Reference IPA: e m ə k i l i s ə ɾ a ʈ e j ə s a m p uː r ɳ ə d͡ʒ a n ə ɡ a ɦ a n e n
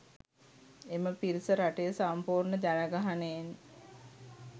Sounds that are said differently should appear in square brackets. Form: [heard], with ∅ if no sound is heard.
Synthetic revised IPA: e m ə [p] i [ɾ] i s ə ɾ a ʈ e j ə s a m p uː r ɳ ə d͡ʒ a n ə ɡ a ɦ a n e n